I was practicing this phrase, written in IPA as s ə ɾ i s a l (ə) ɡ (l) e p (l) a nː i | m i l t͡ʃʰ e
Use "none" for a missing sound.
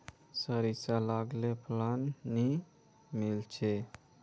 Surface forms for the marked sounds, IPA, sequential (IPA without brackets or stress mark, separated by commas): a, l, l